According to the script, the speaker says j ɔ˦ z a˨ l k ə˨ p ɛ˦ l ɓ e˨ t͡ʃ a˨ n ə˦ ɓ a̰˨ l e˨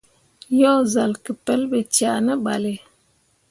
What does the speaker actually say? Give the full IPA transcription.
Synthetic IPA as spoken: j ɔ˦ z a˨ l k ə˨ p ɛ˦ l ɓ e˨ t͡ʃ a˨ n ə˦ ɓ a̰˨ l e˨

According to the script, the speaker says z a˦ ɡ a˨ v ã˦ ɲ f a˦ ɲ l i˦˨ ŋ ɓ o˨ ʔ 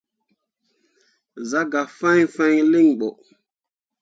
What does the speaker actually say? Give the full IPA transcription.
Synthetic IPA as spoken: z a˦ ɡ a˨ f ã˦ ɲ f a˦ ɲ l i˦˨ ŋ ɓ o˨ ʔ

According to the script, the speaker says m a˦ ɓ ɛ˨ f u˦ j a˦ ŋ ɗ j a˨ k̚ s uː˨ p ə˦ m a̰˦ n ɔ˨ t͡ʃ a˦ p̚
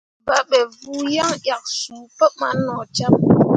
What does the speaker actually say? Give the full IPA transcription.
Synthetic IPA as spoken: b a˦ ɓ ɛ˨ v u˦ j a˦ ŋ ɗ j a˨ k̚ s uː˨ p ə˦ m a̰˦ n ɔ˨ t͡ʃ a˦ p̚

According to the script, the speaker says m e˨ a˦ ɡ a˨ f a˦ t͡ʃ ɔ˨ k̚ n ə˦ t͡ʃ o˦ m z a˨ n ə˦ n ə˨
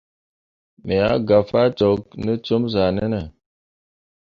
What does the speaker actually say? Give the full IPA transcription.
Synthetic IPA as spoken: m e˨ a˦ ɡ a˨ f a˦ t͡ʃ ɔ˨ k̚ n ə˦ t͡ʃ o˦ m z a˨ n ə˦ n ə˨

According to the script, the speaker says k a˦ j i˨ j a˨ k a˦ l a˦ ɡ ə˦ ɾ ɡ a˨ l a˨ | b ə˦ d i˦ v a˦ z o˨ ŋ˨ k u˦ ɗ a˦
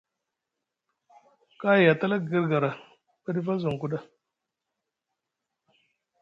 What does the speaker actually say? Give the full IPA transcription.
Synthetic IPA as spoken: k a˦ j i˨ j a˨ t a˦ l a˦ ɡ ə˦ ɾ ɡ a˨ ɾ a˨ | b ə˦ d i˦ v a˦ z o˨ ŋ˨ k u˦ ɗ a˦

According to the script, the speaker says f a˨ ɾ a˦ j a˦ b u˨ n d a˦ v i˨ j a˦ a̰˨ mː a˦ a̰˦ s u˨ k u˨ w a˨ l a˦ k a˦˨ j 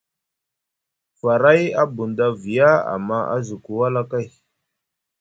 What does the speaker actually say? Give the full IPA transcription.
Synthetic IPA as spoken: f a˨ ɾ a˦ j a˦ b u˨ n d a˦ v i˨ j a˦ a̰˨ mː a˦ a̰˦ z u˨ k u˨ w a˦ l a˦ k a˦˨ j

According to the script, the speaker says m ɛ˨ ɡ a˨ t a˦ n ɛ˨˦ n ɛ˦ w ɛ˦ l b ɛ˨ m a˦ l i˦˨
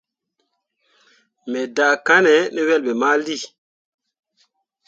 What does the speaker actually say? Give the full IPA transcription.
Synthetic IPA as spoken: m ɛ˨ d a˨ k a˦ n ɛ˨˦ n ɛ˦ w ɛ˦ l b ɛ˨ m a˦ l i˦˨

